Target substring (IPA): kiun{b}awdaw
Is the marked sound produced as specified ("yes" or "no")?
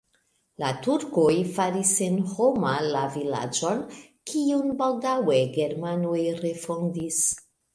yes